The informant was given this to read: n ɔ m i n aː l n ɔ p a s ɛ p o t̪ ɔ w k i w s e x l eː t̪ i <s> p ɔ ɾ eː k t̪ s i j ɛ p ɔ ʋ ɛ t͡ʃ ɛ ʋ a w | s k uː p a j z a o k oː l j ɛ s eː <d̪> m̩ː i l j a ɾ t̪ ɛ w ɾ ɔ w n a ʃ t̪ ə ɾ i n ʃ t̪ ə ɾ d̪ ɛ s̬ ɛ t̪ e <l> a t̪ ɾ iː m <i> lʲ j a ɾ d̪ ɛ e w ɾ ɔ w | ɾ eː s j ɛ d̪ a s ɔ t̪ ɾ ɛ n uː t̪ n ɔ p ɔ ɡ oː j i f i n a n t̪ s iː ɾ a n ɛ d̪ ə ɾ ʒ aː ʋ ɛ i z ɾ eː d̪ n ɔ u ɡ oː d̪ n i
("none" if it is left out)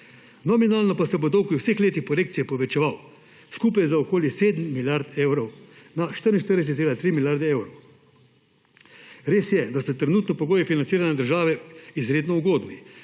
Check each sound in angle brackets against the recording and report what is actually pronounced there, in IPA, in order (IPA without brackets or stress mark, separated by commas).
x, d̪, l, i